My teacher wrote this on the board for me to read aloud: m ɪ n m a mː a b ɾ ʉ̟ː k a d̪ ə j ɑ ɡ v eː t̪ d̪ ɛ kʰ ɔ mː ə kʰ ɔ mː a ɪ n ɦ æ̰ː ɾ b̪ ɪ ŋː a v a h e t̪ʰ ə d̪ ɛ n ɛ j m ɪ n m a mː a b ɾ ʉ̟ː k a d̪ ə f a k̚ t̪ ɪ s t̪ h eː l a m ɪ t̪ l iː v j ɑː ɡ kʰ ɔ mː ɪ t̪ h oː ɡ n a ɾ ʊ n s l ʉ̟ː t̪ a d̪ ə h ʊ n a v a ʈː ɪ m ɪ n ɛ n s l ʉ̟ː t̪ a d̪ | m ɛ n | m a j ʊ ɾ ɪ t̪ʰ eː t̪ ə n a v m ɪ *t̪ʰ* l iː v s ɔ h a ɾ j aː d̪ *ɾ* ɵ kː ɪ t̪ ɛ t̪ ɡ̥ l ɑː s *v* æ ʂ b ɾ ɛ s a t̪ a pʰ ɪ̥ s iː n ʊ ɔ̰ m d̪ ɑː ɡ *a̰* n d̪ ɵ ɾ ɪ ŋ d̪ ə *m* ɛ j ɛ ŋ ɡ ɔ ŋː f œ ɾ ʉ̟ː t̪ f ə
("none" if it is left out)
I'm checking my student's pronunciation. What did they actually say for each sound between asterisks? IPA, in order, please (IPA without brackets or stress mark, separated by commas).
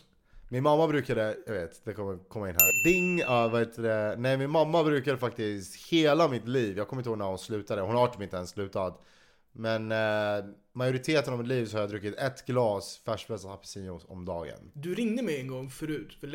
t̪, ɾ, f, ə̰, m